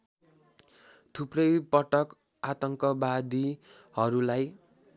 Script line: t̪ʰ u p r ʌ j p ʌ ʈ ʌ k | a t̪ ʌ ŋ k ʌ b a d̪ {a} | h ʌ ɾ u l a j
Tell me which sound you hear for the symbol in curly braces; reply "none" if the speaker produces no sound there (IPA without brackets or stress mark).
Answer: i